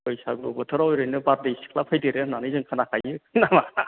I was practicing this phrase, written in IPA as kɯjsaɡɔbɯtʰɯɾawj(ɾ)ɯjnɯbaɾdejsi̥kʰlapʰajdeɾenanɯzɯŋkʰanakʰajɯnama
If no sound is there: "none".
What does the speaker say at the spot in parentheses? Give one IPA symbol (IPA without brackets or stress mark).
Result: ɾ